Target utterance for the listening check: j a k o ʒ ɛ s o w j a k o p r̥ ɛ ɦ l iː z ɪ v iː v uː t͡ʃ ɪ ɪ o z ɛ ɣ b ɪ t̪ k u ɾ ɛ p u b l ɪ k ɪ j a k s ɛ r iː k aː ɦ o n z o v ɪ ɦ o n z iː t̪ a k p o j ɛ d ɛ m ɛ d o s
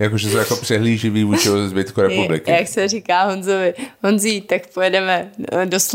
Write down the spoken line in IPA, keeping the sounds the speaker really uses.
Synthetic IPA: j a k o ʒ ɛ s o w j a k o p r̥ ɛ ɦ l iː ʒ ɪ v iː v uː t͡ʃ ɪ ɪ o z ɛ z b ɪ t̪ k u ɾ ɛ p u b l ɪ k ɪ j a k s ɛ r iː k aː ɦ o n z o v ɪ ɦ o n z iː t̪ a k p o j ɛ d ɛ m ɛ d o s